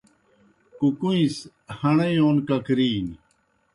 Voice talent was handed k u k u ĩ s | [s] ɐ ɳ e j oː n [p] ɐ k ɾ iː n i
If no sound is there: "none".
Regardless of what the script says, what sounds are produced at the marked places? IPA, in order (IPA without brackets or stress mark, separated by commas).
h, k